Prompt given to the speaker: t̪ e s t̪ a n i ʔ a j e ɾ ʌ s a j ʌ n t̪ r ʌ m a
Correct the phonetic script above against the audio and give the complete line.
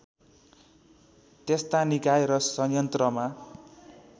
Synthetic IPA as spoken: t̪ e s t̪ a n i k a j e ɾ ʌ s ʌ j ʌ n t̪ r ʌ m a